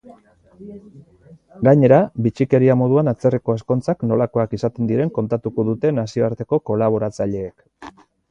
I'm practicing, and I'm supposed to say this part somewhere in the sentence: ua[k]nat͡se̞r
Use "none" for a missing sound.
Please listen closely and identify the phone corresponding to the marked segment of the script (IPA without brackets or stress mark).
none